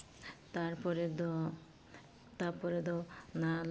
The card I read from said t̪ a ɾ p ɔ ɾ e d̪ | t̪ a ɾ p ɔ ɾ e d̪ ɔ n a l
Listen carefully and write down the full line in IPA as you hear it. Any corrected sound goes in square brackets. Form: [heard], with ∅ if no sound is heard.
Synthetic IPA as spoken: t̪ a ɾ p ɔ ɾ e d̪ | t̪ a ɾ p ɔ ɾ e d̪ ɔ n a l